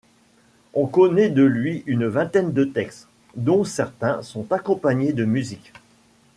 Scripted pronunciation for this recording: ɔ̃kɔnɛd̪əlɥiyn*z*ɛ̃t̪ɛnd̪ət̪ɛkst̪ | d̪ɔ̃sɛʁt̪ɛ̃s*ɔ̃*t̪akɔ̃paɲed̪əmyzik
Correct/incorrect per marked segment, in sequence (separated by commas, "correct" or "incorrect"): incorrect, correct